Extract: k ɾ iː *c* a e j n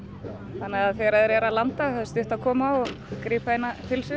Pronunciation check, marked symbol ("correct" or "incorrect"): incorrect